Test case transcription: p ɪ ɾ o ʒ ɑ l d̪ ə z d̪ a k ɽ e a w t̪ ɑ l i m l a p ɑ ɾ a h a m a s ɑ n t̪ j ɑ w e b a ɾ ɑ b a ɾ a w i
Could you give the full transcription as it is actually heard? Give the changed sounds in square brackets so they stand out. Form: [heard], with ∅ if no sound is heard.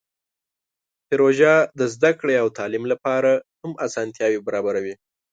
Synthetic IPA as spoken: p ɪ ɾ o ʒ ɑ [∅] d̪ ə z d̪ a k ɽ e a w t̪ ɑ l i m l a p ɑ ɾ a h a m a s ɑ n t̪ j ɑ w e b a ɾ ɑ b a ɾ a w i